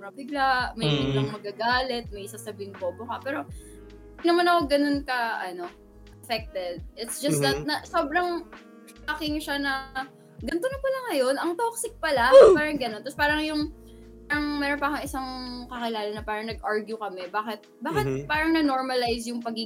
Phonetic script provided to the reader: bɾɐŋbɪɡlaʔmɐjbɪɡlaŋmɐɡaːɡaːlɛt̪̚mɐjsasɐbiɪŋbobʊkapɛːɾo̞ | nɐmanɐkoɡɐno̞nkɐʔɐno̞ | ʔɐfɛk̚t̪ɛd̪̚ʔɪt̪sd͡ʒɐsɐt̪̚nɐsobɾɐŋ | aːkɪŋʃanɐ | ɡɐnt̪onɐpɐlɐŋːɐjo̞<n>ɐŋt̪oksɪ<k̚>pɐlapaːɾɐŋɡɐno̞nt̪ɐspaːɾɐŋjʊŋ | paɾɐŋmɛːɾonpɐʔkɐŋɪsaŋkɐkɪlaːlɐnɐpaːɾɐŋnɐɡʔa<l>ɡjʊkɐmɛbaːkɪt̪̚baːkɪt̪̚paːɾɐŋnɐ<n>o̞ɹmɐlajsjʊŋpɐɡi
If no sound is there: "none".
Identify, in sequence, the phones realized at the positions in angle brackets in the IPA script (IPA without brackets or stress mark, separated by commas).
n, k̚, ɹ, n